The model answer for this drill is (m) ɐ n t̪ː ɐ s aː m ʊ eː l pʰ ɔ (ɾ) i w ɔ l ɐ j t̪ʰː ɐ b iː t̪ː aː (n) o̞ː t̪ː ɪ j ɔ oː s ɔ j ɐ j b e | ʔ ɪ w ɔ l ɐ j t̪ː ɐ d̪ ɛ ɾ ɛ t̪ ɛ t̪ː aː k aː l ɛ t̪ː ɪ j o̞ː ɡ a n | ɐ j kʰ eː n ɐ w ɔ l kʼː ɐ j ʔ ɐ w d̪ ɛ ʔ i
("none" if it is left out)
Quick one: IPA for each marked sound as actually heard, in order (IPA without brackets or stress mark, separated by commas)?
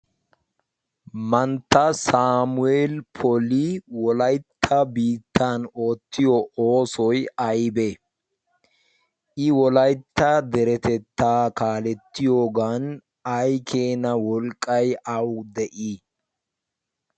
m, l, n